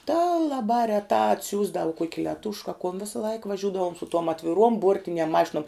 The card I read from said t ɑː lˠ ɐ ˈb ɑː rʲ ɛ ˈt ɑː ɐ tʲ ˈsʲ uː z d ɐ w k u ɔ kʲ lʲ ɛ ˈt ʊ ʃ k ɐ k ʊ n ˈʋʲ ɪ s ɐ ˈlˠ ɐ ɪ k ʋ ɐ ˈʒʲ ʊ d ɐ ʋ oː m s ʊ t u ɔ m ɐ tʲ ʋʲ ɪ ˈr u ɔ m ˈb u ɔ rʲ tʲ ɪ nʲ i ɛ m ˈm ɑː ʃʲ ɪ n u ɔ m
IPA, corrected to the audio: t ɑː lˠ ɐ ˈb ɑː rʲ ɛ ˈt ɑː ɐ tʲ ˈsʲ uː z d ɐ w k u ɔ kʲ lʲ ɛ ˈt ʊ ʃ k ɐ k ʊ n ˈʋʲ ɪ s ɐ ˈlˠ ɐ ɪ k ʋ ɐ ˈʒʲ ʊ d ɐ ʋ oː m s ʊ t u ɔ m ɐ tʲ ʋʲ ɪ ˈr u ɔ m ˈb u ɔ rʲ tʲ ɪ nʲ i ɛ m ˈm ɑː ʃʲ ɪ n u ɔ m